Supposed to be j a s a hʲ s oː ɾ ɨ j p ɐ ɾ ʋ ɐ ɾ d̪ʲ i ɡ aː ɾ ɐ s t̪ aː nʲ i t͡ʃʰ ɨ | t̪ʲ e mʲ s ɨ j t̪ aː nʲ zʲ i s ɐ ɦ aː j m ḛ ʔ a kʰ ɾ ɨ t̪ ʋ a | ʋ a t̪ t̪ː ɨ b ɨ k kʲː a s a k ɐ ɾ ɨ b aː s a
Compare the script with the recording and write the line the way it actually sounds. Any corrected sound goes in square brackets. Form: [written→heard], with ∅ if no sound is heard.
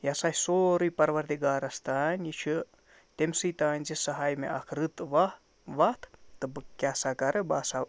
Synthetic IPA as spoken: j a s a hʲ s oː ɾ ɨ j p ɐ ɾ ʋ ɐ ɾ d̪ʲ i ɡ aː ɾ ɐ s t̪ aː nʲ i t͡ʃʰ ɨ | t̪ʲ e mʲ s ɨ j t̪ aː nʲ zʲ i s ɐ ɦ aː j m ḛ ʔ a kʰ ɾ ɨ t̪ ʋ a | ʋ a t̪ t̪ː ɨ b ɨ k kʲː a s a k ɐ ɾ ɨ b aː s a